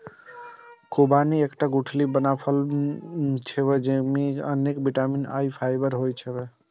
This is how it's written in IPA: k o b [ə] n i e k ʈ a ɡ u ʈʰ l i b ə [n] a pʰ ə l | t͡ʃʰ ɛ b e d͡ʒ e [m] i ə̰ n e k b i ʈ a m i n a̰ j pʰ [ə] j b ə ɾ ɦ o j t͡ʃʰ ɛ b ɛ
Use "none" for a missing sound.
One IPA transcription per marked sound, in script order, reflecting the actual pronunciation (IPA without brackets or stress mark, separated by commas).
a, n, m, a